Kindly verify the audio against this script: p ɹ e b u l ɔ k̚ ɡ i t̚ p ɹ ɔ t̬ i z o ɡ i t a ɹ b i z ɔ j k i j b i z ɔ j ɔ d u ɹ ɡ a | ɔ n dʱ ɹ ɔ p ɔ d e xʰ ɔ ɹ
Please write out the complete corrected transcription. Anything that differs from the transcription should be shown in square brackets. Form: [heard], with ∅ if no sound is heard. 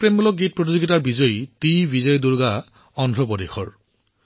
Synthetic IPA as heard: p ɹ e [m] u l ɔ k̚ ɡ i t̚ p ɹ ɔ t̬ i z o ɡ i t a ɹ b i z ɔ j [t] i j b i z ɔ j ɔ d u ɹ ɡ a | ɔ n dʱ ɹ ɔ p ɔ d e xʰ ɔ ɹ